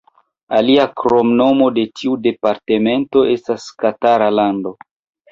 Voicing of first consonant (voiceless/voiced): voiced